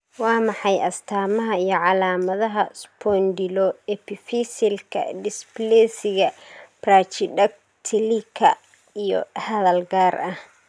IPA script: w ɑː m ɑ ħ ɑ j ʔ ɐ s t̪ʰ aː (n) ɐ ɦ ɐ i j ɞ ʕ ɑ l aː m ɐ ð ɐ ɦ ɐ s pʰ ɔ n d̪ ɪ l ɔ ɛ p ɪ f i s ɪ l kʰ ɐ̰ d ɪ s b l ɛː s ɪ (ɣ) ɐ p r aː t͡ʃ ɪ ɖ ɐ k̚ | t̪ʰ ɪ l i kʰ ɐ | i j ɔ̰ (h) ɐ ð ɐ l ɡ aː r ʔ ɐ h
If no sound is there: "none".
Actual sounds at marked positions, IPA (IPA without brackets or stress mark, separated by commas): m, ɣ, h